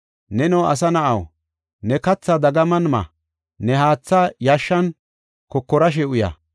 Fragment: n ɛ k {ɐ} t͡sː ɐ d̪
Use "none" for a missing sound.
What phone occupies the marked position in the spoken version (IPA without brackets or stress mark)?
ɐ